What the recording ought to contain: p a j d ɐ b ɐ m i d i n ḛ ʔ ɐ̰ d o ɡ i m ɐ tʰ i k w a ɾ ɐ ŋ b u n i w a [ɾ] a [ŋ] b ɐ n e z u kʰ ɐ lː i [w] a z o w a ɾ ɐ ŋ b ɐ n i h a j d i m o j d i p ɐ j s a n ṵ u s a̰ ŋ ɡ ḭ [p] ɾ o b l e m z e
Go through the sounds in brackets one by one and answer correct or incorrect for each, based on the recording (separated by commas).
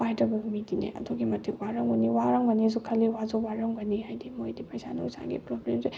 correct, correct, correct, correct